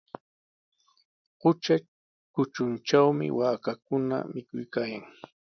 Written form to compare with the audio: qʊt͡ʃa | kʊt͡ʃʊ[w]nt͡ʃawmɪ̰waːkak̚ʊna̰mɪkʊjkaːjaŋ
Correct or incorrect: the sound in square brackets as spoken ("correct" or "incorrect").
incorrect